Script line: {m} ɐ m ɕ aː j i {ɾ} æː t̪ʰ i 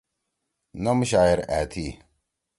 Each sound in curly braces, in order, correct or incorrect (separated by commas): incorrect, correct